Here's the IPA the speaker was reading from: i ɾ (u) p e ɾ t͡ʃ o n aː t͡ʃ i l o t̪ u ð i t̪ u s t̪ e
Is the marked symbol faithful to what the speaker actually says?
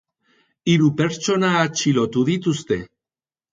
yes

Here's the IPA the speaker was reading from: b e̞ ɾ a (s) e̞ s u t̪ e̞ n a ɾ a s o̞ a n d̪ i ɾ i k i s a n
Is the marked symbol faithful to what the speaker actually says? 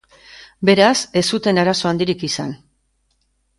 yes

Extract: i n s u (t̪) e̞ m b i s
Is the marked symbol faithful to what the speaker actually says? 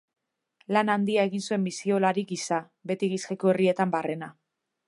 no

